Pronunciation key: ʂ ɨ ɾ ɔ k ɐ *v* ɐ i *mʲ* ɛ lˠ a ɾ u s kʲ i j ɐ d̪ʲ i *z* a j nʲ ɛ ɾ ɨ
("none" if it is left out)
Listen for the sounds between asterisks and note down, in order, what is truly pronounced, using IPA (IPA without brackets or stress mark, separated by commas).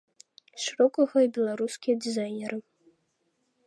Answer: ɣ, bʲ, z